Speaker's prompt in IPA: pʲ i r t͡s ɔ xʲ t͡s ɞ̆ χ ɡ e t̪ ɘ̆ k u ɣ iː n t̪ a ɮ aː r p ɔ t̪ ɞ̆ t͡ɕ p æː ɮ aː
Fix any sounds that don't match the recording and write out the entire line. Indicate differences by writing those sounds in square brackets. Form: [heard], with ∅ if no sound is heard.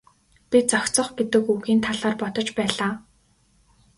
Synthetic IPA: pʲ i [∅] t͡s ɔ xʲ t͡s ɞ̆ χ ɡ e t̪ ɘ̆ k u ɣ iː n [t̪ʰ] a ɮ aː r p ɔ t̪ ɞ̆ t͡ɕ p æː ɮ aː